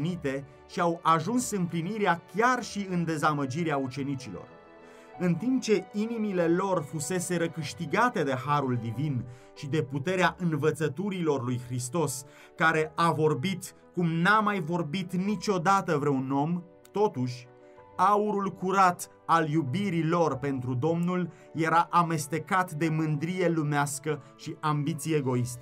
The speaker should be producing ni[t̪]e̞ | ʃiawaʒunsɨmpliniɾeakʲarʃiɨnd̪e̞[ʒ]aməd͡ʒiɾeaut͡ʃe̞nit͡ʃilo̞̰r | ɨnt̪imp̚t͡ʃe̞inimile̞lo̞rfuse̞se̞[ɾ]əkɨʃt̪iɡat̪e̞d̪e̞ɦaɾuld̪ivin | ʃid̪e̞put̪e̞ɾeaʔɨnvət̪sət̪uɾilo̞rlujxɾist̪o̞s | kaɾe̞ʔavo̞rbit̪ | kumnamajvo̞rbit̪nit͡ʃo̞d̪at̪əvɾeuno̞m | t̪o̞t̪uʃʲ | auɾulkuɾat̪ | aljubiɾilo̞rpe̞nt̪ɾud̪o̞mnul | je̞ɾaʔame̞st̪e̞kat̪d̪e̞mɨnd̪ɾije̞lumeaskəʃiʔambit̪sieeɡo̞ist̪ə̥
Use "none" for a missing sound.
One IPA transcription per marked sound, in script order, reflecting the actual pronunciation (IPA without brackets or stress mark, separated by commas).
t̪, z, ɾ